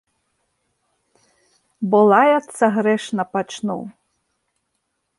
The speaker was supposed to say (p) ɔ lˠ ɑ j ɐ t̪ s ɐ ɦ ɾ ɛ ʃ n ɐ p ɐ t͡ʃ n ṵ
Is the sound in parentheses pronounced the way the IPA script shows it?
no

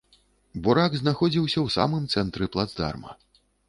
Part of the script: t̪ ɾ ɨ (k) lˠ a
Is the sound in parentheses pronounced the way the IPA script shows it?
no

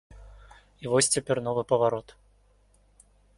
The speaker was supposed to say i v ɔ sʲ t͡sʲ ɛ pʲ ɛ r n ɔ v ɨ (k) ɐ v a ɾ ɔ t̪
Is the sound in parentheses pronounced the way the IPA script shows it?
no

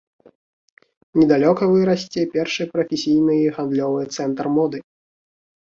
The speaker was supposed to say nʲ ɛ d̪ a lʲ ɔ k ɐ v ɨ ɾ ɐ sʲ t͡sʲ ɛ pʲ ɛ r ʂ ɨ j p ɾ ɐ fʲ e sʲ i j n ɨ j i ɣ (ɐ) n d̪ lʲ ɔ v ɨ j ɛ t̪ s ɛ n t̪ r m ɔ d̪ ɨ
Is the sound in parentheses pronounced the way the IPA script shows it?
no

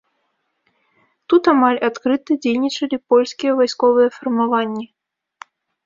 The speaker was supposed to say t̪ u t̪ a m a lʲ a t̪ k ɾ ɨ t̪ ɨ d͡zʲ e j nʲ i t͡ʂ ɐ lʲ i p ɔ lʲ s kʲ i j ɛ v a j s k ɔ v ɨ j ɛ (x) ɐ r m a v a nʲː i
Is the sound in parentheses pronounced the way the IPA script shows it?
no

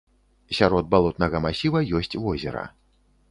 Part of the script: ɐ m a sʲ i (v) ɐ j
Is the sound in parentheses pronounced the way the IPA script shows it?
yes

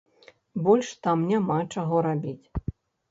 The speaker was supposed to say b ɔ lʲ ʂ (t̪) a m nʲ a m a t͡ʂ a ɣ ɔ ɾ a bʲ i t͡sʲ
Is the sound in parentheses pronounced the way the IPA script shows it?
yes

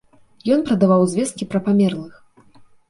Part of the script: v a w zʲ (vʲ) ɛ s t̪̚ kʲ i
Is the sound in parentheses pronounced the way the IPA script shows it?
yes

